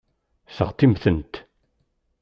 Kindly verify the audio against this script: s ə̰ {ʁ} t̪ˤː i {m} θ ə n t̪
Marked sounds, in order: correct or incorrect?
correct, correct

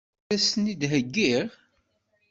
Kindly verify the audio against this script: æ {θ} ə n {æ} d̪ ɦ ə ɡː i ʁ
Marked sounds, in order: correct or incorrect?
incorrect: s, incorrect: i

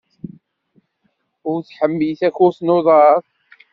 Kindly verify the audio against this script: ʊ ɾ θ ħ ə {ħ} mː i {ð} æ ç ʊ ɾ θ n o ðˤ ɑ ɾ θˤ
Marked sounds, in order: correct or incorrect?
incorrect: none, incorrect: θ

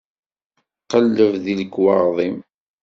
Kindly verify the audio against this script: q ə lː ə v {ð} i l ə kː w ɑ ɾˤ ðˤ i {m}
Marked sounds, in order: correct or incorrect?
correct, correct

